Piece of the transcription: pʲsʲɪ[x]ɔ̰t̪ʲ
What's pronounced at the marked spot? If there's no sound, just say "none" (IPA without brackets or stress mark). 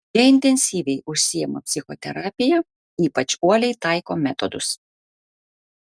x